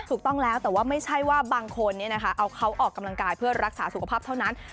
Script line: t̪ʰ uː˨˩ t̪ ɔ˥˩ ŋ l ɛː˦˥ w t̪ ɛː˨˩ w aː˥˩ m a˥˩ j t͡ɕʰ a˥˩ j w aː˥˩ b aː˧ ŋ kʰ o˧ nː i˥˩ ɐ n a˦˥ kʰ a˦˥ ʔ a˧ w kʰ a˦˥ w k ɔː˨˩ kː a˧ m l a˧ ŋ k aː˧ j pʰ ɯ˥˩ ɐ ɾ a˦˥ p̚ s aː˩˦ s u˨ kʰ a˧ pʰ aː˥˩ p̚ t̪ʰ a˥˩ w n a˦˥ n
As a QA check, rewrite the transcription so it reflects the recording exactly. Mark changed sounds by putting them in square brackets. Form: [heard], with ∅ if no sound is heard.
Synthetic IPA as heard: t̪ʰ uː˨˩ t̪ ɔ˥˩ ŋ l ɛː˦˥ w t̪ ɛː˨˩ w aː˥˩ m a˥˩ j t͡ɕʰ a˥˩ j w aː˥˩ b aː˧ ŋ kʰ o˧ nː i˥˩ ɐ n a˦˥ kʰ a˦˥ ʔ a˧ w kʰ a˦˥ w [ʔ] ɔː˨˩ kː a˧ m l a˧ ŋ k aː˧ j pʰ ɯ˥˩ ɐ ɾ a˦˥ [k̚] s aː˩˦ s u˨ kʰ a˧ pʰ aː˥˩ p̚ t̪ʰ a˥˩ w n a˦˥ n